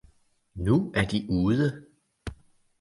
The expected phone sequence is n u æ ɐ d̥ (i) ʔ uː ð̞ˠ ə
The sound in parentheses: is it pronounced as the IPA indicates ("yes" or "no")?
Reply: yes